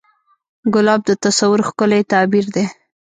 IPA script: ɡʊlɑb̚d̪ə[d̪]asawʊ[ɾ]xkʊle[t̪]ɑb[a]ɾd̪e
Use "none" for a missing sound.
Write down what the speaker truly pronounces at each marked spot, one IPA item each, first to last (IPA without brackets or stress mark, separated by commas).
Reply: t̪, ɾ, t̪, i